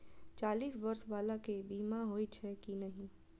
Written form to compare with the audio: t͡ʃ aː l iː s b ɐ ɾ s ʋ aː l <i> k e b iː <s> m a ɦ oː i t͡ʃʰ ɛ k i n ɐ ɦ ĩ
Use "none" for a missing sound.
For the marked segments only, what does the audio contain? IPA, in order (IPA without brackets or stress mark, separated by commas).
a, none